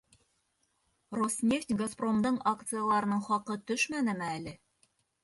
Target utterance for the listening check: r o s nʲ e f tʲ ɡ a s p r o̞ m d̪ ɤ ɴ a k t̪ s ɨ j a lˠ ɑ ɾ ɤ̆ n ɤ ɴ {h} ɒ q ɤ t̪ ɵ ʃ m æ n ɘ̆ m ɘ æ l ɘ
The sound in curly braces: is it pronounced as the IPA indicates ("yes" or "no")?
no